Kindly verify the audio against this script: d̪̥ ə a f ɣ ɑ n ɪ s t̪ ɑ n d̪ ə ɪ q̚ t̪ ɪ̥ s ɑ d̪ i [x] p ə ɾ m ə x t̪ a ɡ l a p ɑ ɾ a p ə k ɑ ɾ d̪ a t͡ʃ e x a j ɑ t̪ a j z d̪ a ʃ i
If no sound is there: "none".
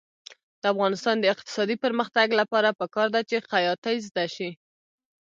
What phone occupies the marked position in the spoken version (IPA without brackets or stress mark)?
none